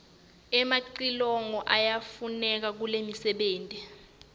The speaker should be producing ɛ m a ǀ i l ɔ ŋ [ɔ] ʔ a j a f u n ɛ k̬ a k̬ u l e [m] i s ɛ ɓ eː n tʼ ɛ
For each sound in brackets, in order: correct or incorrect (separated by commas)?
correct, correct